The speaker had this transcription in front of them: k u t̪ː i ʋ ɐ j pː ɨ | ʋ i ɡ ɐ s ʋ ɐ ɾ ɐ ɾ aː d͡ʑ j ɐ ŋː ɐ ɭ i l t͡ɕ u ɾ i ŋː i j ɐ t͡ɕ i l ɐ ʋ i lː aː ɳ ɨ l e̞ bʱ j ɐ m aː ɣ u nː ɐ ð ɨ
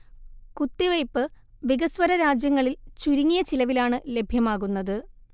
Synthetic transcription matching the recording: k u t̪ː i ʋ ɐ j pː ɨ | ʋ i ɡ ɐ s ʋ ɐ ɾ ɐ ɾ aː d͡ʑ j ɐ ŋː ɐ ɭ i l t͡ɕ u ɾ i ŋː i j ɐ t͡ɕ i l ɐ ʋ i l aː ɳ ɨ l e̞ bʱ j ɐ m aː ɣ u nː ɐ ð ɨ